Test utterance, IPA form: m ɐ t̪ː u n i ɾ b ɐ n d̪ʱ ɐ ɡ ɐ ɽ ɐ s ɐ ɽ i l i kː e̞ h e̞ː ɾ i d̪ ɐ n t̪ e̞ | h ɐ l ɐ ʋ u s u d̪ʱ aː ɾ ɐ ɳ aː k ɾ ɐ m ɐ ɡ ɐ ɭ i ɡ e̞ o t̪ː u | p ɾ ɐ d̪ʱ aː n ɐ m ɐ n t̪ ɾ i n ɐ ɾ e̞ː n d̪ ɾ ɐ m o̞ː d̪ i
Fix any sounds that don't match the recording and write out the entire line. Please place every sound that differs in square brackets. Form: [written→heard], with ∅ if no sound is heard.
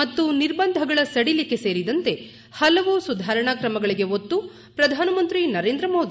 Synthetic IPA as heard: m ɐ t̪ː u n i ɾ b ɐ n d̪ʱ ɐ ɡ ɐ [ɽ→ɭ] ɐ s ɐ ɽ i l i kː e̞ [h→s] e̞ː ɾ i d̪ ɐ n t̪ e̞ | h ɐ l ɐ ʋ u s u d̪ʱ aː ɾ ɐ ɳ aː k ɾ ɐ m ɐ ɡ ɐ ɭ i ɡ e̞ o t̪ː u | p ɾ ɐ d̪ʱ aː n ɐ m ɐ n t̪ ɾ i n ɐ ɾ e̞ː n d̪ ɾ ɐ m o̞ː d̪ i